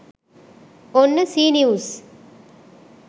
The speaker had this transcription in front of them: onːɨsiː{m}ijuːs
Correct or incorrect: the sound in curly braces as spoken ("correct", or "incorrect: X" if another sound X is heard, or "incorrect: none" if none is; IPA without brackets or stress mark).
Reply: incorrect: n